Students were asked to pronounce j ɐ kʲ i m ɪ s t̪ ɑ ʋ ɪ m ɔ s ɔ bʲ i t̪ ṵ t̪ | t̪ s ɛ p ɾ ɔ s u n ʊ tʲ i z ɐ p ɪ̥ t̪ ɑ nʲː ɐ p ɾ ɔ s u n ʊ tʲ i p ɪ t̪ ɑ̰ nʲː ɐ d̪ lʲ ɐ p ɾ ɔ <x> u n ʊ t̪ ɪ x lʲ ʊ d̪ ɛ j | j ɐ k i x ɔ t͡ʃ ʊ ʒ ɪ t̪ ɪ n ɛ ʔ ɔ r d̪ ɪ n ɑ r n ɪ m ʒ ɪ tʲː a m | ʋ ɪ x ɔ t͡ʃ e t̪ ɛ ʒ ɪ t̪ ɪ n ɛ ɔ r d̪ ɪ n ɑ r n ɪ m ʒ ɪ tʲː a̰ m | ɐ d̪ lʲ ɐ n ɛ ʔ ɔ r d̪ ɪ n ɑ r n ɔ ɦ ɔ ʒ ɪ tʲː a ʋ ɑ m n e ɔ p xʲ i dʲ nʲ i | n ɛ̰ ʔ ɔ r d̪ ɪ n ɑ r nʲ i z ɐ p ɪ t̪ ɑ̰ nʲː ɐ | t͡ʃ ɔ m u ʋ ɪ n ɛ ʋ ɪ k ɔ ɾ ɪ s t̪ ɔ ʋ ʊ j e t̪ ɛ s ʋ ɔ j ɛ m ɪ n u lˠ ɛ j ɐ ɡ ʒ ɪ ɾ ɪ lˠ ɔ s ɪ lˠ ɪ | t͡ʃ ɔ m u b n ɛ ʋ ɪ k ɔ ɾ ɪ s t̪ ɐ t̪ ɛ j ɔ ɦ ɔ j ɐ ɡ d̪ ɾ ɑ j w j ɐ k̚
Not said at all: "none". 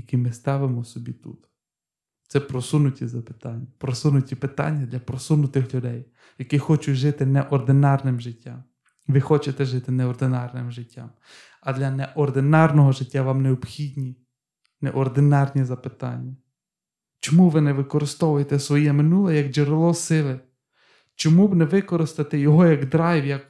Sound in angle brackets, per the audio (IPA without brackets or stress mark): s